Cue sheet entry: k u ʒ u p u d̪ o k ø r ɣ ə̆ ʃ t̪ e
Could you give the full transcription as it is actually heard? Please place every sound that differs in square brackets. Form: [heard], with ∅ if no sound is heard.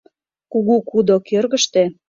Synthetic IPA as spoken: k u [ɣ] u [k] u d̪ o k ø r ɣ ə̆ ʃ t̪ e